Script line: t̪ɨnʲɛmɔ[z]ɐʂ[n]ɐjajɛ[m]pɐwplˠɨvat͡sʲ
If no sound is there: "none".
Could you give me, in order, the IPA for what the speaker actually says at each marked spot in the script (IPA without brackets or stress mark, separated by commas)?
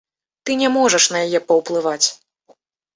ʐ, n, none